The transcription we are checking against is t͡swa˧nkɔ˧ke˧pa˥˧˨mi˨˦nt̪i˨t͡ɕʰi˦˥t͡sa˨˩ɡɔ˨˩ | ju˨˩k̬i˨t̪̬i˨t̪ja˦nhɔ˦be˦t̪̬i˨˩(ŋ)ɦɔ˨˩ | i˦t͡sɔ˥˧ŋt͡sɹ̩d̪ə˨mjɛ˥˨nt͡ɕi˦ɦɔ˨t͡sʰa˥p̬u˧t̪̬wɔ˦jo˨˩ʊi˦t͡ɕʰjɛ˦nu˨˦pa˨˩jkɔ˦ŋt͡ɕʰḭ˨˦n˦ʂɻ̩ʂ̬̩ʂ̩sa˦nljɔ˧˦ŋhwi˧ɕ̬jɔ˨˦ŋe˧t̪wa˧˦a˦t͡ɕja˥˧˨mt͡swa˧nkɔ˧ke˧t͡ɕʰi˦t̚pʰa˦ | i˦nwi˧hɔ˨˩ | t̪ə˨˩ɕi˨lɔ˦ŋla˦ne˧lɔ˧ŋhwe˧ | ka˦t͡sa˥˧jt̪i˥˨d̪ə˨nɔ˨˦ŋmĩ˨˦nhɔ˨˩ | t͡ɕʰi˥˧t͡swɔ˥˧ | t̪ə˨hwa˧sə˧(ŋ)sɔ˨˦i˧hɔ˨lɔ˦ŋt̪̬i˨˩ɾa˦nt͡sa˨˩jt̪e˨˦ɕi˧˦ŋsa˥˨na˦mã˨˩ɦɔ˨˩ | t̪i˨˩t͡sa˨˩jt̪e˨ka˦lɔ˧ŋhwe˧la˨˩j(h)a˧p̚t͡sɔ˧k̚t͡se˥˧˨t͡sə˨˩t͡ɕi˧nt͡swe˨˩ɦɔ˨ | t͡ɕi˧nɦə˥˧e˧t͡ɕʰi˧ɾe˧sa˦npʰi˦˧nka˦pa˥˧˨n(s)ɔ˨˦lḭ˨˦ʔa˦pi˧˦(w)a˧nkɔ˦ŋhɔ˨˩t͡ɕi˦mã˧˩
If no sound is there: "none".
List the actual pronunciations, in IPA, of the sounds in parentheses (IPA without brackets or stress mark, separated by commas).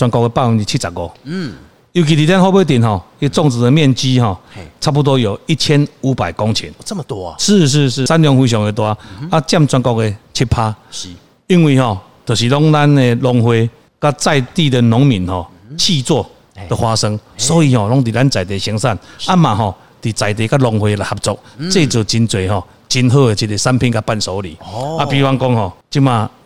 n, ŋ, h, s, w